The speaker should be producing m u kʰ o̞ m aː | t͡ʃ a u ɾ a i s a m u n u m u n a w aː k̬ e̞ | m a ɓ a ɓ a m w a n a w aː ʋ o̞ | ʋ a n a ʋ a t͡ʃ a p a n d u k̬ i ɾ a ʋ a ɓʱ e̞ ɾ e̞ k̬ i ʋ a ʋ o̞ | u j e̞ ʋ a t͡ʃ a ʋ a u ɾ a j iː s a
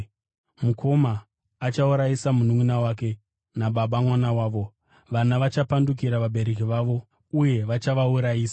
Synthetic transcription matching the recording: m u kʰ o̞ m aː | t͡ʃ a u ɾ a i s a m u n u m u n a w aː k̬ e̞ | n a ɓ a ɓ a m w a n a w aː ʋ o̞ | ʋ a n a ʋ a t͡ʃ a p a n d u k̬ i ɾ a ʋ a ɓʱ e̞ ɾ e̞ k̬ i ʋ a ʋ o̞ | u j e̞ ʋ a t͡ʃ a ʋ a u ɾ a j iː s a